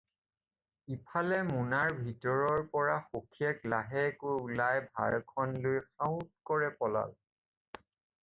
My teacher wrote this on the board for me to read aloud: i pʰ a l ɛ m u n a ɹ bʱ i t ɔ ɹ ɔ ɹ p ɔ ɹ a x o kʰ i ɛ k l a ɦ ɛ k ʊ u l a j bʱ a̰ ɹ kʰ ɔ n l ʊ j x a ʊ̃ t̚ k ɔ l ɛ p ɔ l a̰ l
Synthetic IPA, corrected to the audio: i pʰ a l ɛ m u n a ɹ bʱ i t ɔ ɹ ɔ ɹ p ɔ ɹ a x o kʰ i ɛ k l a ɦ ɛ k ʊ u l a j bʱ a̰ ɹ kʰ ɔ n l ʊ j x a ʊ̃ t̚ k ɔ ɹ ɛ p ɔ l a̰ l